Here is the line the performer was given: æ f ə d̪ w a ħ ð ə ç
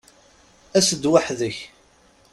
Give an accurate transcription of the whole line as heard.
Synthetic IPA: æ s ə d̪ w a ħ ð ə ç